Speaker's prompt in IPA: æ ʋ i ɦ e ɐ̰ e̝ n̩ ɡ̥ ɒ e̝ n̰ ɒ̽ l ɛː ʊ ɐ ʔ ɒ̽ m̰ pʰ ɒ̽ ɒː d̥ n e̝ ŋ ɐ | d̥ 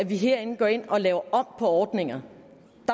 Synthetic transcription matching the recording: æ ʋ i ɦ e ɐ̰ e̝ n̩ ɡ̥ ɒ e̝ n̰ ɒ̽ l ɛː ʊ ɐ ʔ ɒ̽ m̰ pʰ ɒ̽ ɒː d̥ n e̝ ŋ ɐ | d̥